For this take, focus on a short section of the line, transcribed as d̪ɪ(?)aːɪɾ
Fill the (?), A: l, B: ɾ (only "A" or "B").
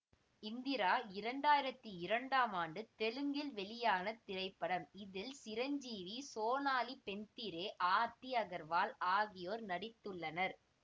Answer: B